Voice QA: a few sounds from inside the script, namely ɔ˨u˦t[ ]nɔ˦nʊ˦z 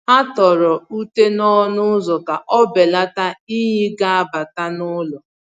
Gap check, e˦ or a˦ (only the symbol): e˦